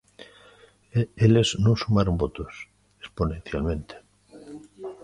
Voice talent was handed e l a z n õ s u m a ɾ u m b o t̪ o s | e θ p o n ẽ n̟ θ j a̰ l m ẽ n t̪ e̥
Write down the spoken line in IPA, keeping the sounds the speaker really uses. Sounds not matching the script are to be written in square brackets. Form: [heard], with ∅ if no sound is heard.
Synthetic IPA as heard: e l [e] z n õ s u m a ɾ [o] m b o t̪ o s | e [s] p o n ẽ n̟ θ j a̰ l m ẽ n t̪ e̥